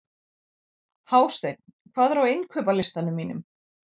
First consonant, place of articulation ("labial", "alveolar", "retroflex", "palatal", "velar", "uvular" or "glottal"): glottal